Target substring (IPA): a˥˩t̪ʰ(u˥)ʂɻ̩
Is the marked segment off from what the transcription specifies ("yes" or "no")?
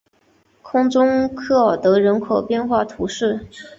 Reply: yes